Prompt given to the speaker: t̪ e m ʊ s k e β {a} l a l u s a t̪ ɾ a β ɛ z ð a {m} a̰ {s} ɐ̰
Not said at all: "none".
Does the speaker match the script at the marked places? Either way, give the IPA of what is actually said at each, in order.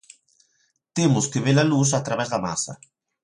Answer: e, m, s

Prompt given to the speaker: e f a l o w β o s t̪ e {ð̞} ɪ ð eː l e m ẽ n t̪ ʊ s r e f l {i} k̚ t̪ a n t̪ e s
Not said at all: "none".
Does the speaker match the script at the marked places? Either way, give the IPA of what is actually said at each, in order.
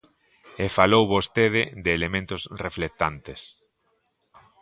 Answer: ð̞, e

